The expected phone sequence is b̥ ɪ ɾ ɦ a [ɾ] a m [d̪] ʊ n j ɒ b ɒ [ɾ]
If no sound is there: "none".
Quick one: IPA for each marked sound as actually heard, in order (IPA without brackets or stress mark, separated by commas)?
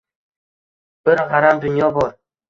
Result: ɾ, d̪, ɾ